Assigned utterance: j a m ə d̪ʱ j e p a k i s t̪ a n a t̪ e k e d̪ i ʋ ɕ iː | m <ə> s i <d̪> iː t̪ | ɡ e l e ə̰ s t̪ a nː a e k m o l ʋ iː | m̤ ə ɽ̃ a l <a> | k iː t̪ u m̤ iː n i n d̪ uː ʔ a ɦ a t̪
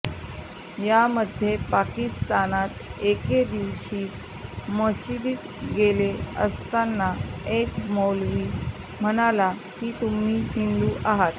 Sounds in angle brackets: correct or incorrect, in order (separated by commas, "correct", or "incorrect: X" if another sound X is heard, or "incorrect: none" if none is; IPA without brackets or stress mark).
correct, correct, correct